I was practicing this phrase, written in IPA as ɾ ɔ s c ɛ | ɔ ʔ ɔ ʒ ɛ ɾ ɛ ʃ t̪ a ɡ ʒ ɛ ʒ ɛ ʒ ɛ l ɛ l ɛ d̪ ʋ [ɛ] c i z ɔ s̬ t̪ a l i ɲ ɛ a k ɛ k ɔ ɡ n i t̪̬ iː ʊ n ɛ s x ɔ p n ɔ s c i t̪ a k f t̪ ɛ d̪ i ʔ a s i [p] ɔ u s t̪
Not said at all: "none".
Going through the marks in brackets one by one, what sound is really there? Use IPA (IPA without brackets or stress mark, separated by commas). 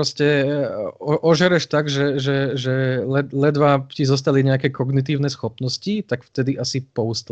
a, p